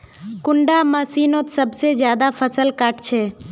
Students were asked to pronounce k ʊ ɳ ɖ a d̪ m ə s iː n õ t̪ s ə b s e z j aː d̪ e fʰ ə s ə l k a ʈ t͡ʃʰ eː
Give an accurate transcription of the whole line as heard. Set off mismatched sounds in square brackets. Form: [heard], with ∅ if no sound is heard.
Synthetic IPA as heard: k ʊ ɳ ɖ a [∅] m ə s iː n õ t̪ s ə b s e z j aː d̪ [a] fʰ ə s ə l k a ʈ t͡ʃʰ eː